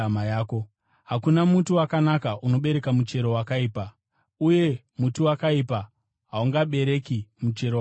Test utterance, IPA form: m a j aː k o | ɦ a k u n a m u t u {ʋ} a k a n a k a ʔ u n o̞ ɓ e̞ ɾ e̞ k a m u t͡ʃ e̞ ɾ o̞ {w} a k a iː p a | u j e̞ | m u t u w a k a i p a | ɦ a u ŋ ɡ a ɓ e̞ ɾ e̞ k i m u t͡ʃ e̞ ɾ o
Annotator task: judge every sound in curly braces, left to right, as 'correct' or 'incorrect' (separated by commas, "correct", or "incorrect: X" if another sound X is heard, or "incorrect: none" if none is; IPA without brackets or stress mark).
incorrect: w, correct